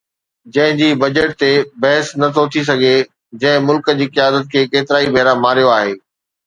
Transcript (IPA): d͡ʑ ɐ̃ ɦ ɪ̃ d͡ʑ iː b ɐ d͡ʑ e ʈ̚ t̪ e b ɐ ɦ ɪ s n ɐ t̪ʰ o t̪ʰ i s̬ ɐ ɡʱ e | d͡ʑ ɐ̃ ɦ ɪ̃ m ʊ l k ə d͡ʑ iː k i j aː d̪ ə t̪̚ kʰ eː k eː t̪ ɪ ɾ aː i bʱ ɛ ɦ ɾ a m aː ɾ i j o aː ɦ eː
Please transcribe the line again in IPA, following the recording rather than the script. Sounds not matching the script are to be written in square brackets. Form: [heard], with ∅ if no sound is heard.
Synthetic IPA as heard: d͡ʑ ɐ̃ ɦ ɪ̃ d͡ʑ iː b ɐ d͡ʑ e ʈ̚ t̪ e b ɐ ɦ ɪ s n ɐ t̪ʰ o t̪ʰ i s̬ ɐ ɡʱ e | d͡ʑ ɐ̃ ɦ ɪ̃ m ʊ l k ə d͡ʑ iː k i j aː d̪ ə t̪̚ kʰ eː k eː t̪ ɪ ɾ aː i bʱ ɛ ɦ ɾ a m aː ɾ i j o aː ɦ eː